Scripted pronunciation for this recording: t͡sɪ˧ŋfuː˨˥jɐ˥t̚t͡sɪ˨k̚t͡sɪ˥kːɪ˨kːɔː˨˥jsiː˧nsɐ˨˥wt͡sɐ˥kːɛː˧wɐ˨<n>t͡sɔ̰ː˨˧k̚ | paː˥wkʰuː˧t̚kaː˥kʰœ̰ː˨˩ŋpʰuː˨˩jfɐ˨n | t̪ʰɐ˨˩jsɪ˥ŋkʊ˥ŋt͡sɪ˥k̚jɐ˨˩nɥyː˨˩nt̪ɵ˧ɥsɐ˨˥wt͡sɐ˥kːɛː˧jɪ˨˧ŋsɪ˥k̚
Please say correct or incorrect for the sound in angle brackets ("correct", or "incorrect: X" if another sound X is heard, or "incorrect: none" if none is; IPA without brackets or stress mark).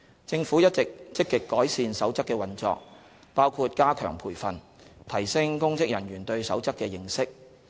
correct